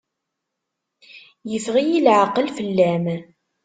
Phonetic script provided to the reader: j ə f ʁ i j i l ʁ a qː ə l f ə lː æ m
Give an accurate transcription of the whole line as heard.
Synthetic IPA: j ə f ʁ i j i l ʕ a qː ə l f ə lː æ m

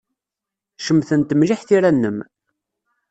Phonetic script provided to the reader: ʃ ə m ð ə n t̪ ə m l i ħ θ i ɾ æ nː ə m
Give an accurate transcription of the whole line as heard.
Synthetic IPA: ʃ ə m θ ə n t̪ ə m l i ħ θ i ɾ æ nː ə m

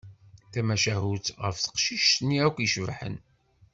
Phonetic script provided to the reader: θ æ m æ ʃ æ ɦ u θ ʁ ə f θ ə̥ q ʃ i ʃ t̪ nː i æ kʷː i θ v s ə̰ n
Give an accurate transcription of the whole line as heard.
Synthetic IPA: θ æ m æ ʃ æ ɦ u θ ʁ ə f θ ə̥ q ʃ i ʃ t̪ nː i æ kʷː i ʃ v ħ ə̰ n

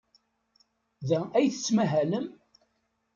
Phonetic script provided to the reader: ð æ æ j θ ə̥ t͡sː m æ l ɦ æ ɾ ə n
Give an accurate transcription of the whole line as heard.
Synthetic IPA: ð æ æ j θ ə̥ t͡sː m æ ɦ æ l ə m

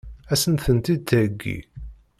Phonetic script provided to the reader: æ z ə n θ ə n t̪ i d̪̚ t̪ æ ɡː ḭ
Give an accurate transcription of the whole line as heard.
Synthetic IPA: æ s ə n θ ə n t̪ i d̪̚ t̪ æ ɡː ḭ

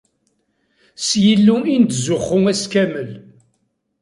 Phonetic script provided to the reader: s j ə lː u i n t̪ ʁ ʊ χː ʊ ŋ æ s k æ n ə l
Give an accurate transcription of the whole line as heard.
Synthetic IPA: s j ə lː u i n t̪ z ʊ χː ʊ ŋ æ s k æ m ə l

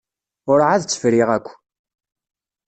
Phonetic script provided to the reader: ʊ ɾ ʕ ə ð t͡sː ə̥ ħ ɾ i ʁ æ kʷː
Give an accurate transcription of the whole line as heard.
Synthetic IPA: ʊ ɾ ʕ a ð t͡sː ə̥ f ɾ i ʁ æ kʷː

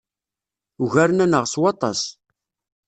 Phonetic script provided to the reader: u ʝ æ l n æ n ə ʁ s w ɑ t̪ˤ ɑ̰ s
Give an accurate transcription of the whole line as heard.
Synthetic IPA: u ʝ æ ɾ n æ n ə ʁ s w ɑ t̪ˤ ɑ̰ s

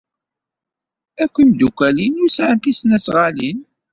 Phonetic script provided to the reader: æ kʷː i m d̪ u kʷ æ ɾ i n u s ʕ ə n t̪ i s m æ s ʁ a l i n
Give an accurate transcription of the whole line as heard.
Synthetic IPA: æ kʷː i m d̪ u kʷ æ l i n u s ʕ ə n t̪ i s n æ s ʁ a l i n

